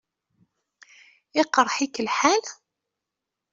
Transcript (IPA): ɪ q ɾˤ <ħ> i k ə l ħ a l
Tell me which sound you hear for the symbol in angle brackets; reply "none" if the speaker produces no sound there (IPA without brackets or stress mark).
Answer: ħ